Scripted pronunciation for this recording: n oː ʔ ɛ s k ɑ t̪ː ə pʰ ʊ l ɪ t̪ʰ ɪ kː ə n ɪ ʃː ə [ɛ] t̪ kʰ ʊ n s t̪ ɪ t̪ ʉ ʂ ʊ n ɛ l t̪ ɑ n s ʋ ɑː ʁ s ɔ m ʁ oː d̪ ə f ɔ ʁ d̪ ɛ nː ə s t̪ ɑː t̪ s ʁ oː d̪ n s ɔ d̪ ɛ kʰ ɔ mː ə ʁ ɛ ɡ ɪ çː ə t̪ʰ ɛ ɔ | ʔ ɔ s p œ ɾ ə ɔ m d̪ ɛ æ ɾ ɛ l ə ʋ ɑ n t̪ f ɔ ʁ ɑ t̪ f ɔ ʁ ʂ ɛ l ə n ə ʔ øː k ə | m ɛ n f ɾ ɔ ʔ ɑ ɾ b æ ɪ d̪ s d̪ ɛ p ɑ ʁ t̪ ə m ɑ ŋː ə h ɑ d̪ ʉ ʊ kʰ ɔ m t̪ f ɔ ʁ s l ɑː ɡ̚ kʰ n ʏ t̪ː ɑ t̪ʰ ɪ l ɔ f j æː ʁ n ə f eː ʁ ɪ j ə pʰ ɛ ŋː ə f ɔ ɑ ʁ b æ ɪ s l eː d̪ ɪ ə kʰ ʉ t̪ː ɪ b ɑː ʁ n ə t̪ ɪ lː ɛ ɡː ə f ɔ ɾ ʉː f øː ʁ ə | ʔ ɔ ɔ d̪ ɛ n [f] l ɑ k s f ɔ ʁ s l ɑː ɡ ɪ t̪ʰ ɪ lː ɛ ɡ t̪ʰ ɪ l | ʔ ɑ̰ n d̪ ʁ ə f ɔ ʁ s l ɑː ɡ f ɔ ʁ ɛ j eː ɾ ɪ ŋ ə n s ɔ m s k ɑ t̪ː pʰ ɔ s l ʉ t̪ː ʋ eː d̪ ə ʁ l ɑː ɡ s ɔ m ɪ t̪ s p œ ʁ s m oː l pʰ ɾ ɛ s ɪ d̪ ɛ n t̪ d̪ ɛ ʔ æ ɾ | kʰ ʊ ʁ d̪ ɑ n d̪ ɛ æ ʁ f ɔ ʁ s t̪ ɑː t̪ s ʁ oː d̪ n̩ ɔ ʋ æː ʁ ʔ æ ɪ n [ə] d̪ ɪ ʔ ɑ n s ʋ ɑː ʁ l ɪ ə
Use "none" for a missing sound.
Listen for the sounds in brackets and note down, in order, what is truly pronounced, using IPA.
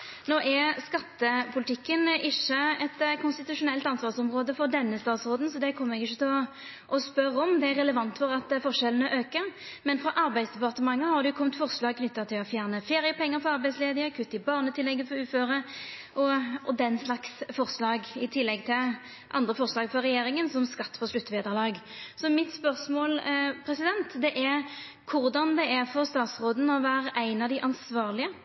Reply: ɛ, s, ɑ

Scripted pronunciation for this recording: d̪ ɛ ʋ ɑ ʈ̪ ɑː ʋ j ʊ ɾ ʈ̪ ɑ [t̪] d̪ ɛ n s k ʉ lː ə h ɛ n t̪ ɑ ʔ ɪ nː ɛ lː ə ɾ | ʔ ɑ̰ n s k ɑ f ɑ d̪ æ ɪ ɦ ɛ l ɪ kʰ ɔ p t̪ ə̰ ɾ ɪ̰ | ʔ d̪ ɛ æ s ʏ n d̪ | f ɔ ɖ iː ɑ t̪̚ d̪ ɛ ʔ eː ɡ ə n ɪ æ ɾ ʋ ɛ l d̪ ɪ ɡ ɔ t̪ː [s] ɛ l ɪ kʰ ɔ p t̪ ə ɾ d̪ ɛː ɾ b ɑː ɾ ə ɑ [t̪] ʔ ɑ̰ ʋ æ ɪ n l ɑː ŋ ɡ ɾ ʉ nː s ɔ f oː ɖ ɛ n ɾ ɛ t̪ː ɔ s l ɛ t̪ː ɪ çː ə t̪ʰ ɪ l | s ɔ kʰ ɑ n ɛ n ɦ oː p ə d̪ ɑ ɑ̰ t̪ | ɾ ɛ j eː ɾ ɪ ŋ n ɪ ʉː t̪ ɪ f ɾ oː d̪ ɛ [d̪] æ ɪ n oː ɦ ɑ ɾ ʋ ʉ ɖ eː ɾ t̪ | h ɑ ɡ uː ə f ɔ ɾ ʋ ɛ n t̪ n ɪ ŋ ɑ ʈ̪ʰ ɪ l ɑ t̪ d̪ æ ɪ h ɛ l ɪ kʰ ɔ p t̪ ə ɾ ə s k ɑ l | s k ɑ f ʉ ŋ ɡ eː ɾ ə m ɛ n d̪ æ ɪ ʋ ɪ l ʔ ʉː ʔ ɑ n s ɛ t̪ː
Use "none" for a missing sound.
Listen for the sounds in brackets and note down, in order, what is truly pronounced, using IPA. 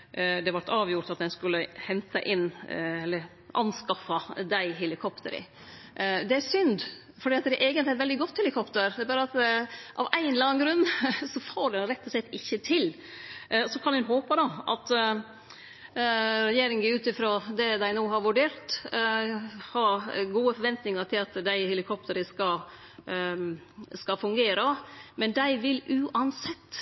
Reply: t̪, h, t̪, d̪

